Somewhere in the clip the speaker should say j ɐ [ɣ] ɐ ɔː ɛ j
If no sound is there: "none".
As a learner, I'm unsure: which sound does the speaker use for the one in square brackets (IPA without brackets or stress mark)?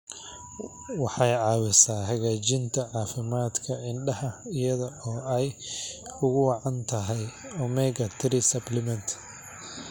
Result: ð